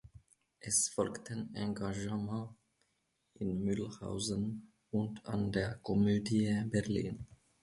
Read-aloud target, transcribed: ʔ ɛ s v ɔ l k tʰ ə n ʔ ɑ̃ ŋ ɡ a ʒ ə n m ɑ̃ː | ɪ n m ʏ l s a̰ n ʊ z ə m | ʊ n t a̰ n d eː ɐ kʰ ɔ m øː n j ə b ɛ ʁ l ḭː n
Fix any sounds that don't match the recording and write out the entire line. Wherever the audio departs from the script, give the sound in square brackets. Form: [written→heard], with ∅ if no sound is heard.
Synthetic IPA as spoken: ʔ ɛ s [v→f] ɔ l k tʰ ə n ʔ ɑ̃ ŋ ɡ a ʒ ə [n→∅] m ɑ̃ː | ɪ n m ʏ l [s→h] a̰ [n→∅] ʊ z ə [m→n] | ʊ n t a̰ n d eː ɐ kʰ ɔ m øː [n→d] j ə b ɛ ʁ l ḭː n